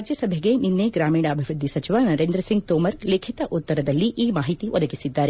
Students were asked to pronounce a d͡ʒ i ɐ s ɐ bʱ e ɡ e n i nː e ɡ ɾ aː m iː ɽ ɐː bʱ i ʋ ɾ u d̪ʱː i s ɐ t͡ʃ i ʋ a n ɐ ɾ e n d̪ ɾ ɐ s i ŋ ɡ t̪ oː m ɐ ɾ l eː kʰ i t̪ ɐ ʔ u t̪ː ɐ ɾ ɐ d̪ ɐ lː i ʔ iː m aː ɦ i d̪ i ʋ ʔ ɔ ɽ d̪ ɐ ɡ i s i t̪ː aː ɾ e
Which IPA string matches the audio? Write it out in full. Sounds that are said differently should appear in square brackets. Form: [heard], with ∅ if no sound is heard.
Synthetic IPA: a d͡ʒ [j] ɐ s ɐ bʱ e ɡ e n i nː e ɡ ɾ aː m iː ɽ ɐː bʱ i ʋ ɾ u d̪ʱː i s ɐ t͡ʃ i ʋ a n ɐ ɾ e n d̪ ɾ ɐ s i ŋ ɡ t̪ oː m ɐ ɾ l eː kʰ i t̪ ɐ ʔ u t̪ː ɐ ɾ ɐ d̪ ɐ lː i ʔ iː m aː ɦ i [t̪] i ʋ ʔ ɔ [∅] d̪ ɐ ɡ i s i [d̪ː] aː ɾ e